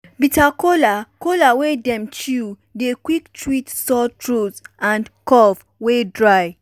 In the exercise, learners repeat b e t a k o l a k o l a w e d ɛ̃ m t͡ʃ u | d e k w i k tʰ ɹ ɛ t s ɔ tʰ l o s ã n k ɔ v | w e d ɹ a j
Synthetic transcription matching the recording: b i t a k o l a k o l a w e d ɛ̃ m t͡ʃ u | d e k w i k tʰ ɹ i t s ɔ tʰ ɹ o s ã n k ɔ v | w e d ɹ a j